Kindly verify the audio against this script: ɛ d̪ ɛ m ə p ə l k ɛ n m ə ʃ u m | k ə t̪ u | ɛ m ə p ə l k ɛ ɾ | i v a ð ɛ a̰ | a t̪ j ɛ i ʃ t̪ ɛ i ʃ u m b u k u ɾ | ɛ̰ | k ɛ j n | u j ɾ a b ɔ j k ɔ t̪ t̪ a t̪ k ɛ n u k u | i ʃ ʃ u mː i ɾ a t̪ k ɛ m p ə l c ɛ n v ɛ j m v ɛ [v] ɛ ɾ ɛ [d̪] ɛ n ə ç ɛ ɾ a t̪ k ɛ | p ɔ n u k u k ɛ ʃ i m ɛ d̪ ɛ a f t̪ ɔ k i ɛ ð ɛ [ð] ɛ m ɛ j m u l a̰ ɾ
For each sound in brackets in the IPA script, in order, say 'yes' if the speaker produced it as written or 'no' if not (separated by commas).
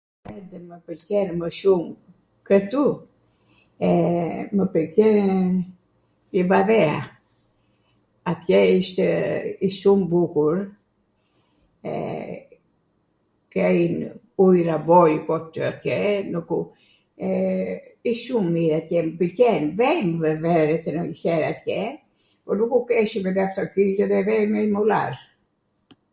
yes, no, no